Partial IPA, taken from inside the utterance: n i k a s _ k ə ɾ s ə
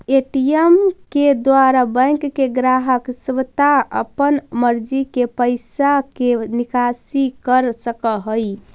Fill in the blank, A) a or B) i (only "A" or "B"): B